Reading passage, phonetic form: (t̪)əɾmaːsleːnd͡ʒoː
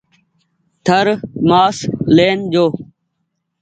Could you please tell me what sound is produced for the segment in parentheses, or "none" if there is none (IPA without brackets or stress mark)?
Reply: t̪ʰ